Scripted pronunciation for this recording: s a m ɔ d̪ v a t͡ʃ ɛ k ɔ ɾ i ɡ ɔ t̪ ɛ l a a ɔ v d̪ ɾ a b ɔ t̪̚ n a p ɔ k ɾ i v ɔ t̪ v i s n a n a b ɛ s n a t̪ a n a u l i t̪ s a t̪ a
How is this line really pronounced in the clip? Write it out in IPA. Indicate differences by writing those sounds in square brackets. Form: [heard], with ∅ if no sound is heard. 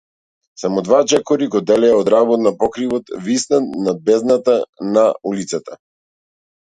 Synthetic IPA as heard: s a m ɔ d̪ v a t͡ʃ ɛ k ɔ ɾ i ɡ ɔ [d̪] ɛ l [ɛ] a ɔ [∅] d̪ ɾ a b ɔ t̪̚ n a p ɔ k ɾ i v ɔ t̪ v i s n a n a b ɛ [z] n a t̪ a n a u l i t̪ s a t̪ a